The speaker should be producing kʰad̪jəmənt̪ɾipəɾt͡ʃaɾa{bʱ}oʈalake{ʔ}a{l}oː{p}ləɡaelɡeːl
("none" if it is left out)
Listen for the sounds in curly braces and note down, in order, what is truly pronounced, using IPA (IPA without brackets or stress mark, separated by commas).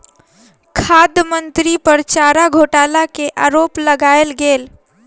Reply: ɡʱ, ʔ, ɾ, p